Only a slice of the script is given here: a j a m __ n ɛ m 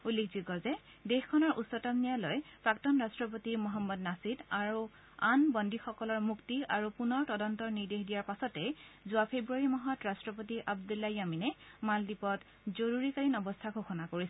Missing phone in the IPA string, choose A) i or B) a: A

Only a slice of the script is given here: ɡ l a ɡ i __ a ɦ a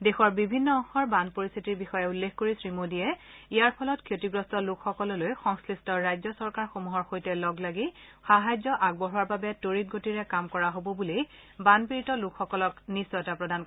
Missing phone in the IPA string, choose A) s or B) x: B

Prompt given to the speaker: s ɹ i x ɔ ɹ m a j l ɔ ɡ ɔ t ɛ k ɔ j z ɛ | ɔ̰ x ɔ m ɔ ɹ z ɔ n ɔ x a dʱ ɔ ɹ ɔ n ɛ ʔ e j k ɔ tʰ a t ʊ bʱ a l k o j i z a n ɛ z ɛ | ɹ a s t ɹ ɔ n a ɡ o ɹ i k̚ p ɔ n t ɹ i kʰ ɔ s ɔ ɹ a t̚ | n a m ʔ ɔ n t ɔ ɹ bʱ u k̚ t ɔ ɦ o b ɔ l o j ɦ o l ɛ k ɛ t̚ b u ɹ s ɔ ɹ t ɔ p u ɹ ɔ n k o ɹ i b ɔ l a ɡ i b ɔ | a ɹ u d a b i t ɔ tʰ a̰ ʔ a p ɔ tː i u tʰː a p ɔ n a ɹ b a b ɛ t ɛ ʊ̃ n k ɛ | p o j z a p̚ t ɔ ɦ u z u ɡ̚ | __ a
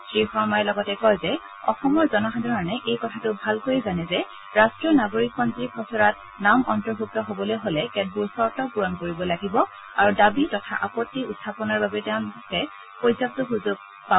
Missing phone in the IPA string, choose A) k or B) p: B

